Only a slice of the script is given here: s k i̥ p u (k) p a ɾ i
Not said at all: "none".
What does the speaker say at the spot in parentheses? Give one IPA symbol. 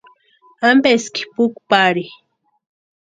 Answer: k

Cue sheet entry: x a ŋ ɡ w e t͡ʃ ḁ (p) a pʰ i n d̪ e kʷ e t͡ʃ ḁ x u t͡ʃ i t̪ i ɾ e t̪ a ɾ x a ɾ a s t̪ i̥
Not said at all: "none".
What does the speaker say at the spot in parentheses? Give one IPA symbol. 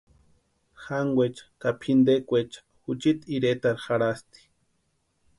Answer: k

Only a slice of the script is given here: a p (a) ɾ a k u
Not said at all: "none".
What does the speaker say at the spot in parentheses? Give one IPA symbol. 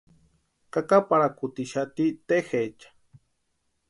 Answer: a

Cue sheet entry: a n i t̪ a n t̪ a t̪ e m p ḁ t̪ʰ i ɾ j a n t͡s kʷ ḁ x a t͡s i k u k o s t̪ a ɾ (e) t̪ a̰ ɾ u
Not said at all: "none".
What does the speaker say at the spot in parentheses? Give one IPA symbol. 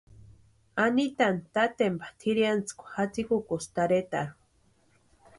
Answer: e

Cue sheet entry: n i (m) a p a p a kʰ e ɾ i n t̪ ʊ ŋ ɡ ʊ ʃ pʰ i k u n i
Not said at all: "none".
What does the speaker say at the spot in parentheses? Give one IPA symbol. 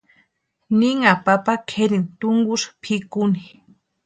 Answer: ŋ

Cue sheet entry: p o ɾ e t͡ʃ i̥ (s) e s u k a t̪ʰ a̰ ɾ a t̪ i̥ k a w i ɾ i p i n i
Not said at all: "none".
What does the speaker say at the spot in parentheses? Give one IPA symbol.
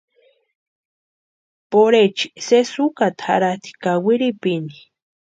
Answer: s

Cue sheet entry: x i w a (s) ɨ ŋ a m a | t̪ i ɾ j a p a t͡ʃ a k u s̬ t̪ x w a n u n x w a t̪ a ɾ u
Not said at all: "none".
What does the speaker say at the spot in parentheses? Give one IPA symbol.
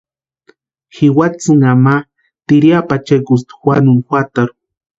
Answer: t͡s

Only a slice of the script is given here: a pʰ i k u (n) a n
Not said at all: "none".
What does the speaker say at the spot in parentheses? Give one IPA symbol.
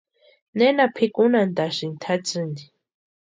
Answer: n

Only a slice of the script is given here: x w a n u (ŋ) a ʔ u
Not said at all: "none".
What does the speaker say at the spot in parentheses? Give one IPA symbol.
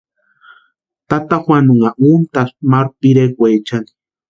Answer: ŋ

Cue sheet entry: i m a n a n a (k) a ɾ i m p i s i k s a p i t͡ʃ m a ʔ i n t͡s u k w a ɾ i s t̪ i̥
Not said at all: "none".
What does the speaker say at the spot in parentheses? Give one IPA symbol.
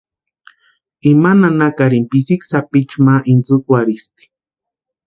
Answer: k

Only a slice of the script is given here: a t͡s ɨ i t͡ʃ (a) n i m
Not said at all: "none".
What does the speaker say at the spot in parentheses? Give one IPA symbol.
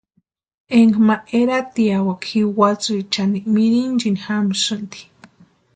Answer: a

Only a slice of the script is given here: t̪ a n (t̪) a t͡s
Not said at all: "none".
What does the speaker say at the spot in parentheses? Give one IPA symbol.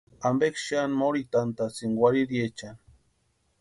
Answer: t̪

